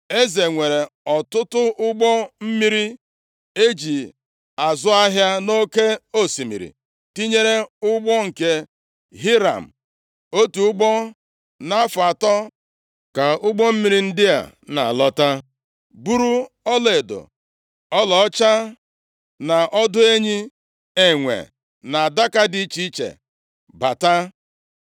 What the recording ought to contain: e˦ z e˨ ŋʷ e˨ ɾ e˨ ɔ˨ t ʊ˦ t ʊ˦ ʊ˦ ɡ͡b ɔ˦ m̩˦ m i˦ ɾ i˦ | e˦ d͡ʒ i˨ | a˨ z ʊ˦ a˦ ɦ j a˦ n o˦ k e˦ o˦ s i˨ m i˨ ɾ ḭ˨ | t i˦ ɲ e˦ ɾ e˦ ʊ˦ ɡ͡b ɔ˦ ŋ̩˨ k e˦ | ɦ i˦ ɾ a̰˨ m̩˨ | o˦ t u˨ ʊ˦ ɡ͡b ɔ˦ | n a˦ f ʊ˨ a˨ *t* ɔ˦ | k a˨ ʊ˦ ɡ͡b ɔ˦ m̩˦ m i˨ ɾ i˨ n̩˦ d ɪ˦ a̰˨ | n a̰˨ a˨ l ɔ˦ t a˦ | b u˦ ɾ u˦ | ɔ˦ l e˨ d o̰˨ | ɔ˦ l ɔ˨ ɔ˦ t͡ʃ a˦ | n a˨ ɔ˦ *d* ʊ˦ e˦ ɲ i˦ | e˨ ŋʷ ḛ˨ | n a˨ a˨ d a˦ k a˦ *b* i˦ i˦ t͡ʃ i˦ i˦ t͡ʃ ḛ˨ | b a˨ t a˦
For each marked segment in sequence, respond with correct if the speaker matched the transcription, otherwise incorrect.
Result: correct, correct, incorrect

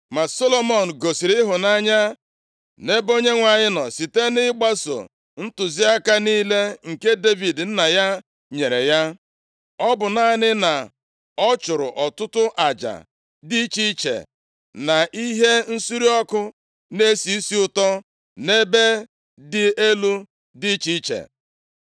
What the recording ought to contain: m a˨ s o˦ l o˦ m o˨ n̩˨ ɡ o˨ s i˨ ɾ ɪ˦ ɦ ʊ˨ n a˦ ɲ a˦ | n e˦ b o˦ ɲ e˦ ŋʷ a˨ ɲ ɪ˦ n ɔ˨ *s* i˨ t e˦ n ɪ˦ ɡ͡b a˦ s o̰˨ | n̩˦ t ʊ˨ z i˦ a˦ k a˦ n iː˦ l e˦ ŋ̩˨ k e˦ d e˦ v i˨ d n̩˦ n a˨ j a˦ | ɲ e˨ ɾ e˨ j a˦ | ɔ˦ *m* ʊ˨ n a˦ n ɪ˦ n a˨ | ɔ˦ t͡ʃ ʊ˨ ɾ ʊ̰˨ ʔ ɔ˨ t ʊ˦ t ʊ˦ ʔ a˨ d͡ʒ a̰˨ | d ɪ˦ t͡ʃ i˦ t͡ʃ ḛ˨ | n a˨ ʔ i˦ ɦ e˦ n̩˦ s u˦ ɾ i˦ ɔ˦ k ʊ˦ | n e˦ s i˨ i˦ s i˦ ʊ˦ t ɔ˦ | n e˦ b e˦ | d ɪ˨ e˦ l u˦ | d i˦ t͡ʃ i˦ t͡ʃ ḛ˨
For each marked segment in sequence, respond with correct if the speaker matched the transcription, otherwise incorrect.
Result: correct, incorrect

